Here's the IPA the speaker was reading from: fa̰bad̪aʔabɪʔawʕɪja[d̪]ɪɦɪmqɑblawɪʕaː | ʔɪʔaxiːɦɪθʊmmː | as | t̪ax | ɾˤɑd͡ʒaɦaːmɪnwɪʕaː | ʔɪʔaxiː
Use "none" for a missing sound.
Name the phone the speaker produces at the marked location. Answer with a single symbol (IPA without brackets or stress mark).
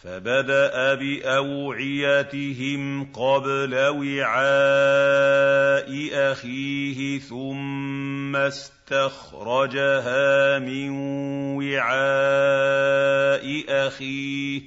t̪